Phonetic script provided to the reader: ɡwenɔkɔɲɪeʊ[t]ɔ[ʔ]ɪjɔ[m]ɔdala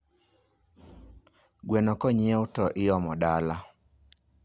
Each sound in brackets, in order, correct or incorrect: correct, correct, correct

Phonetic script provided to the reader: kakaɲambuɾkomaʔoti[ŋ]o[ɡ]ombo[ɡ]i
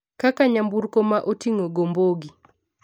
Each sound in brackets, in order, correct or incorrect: correct, correct, correct

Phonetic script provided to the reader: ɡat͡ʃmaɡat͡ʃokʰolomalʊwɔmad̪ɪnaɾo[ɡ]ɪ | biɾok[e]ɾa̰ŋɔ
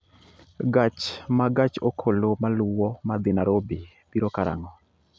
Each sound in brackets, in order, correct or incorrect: incorrect, incorrect

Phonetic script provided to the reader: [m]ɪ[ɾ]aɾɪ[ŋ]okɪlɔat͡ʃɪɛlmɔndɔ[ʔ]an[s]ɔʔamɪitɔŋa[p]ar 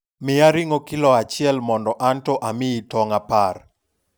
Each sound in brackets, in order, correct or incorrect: correct, incorrect, correct, correct, incorrect, correct

